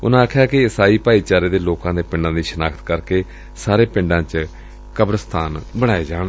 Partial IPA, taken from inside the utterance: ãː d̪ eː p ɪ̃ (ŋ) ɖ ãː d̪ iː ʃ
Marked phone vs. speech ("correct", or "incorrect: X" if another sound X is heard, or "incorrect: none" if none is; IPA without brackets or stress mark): incorrect: ɳ